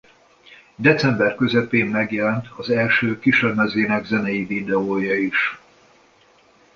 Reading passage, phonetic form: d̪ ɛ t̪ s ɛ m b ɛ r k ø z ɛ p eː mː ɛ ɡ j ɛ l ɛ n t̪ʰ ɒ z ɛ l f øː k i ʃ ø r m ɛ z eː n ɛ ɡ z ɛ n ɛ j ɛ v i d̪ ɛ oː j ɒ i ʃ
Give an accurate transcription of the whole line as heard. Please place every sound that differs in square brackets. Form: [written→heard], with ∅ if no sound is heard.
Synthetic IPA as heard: d̪ ɛ t̪ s ɛ m b ɛ r k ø z ɛ p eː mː ɛ ɡ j ɛ l ɛ n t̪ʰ ɒ z ɛ l [f→ʃ] øː k i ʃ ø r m ɛ z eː n ɛ ɡ z ɛ n ɛ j [ɛ→i] v i d̪ ɛ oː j ɒ i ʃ